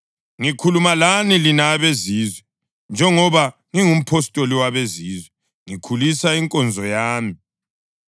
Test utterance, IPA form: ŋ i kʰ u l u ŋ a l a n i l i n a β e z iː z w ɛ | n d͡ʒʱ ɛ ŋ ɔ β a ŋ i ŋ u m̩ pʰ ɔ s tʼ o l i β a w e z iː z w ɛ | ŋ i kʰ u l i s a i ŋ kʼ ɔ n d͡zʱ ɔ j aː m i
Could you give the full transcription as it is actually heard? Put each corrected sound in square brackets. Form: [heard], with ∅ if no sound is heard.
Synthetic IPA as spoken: ŋ i kʰ u l u [m] a l a n i l i n a β e z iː z w ɛ | n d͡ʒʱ ɛ ŋ ɔ β a ŋ i ŋ u m̩ pʰ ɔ s tʼ o l i [w] a [β] e z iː z w ɛ | ŋ i kʰ u l i s a i ŋ kʼ ɔ n d͡zʱ ɔ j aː m i

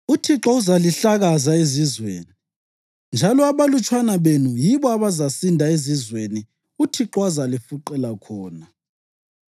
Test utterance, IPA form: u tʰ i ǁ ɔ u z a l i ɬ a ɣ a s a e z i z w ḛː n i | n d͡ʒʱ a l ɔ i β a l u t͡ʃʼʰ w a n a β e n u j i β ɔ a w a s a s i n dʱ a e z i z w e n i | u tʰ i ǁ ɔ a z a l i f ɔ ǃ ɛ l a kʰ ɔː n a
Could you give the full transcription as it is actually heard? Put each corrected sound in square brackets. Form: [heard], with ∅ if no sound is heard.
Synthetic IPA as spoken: u tʰ i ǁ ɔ u z a l i ɬ a ɣ a [z] a e z i z w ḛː n i | n d͡ʒʱ a l ɔ [a] β a l u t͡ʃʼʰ w a n a β e n u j i β ɔ a [β] a [z] a s i n dʱ a e z i z w e n i | u tʰ i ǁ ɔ a z a l i f [u] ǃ ɛ l a kʰ ɔː n a

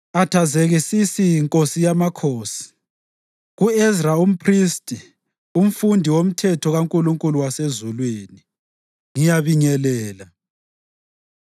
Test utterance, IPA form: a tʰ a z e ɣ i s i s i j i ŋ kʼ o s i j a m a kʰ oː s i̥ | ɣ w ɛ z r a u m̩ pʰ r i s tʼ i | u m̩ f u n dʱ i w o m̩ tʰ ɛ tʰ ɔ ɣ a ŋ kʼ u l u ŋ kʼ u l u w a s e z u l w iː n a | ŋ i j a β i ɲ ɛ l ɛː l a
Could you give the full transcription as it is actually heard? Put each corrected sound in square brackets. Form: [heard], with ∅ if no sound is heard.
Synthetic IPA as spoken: a tʰ a z e ɣ i s i s i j i ŋ kʼ o s i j a m a kʰ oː s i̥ | ɣ [u] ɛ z r a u m̩ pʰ r i s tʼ i | u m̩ f u n dʱ i w o m̩ tʰ ɛ tʰ ɔ ɣ a ŋ kʼ u l u ŋ kʼ u l u w a s e z u l w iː n [i] | ŋ i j a β i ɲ ɛ l ɛː l a

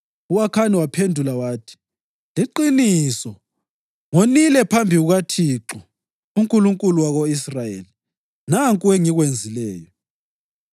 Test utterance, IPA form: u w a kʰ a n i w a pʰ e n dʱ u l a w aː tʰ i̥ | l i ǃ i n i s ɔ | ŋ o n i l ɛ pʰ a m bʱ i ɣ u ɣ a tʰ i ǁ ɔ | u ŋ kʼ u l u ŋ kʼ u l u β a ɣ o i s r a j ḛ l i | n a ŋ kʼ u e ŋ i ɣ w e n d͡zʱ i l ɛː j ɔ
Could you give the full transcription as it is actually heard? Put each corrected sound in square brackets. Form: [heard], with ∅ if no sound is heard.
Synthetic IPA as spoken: u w a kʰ a n i w a pʰ e n dʱ u l a w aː tʰ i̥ | l i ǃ i n i s ɔ | ŋ o n i l ɛ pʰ a m bʱ i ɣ u ɣ a tʰ i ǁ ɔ | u ŋ kʼ u l u ŋ kʼ u l u [w] a ɣ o i s r a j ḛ l i | n a ŋ kʼ u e ŋ i ɣ w e n d͡zʱ i l ɛː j ɔ

